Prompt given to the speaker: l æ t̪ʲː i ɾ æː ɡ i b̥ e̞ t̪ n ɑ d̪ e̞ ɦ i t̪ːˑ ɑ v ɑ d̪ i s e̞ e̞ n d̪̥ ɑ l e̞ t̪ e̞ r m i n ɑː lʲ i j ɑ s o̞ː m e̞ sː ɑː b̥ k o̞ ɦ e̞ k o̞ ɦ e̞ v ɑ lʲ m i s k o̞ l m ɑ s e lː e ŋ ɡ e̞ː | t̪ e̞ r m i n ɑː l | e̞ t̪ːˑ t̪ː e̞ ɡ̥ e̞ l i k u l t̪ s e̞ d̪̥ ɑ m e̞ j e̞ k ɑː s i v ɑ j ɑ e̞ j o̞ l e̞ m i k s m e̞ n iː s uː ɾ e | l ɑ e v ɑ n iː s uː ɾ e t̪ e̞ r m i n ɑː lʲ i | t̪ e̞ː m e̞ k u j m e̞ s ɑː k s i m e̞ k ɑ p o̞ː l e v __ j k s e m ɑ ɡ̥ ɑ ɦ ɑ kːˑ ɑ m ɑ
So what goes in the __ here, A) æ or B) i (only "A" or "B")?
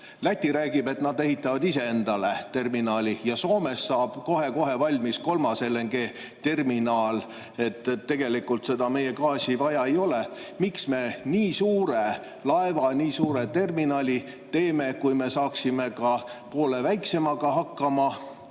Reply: A